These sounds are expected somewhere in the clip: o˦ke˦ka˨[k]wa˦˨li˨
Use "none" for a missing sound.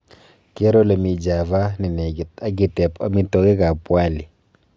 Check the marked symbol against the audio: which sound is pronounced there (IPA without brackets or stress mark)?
p